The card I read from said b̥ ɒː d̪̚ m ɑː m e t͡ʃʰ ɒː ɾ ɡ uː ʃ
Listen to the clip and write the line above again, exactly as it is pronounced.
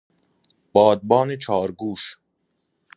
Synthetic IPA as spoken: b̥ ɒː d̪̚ b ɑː n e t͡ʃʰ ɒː ɾ ɡ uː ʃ